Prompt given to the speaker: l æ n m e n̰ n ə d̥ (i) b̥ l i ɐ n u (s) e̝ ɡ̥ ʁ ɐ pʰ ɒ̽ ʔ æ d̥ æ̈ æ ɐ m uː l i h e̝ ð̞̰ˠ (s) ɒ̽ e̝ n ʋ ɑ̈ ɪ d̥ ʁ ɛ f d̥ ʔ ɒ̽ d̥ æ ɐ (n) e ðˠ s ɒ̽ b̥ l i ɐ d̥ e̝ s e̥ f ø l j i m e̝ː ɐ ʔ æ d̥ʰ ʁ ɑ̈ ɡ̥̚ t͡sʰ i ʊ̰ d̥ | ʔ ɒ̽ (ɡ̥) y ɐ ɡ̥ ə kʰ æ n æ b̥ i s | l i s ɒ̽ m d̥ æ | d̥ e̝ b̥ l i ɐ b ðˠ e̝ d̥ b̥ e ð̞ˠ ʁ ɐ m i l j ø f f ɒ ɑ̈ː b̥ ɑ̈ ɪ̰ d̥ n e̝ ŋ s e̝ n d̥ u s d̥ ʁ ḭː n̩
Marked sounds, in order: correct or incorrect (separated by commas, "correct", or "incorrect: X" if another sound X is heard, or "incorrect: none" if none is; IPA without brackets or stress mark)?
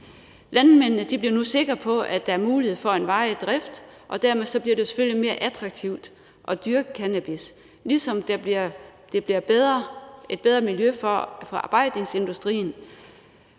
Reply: correct, correct, incorrect: f, incorrect: m, incorrect: d̥